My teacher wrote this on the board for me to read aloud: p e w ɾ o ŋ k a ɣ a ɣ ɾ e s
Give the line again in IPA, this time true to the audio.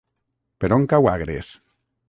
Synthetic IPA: p e ɾ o ŋ k a w a ɣ ɾ e s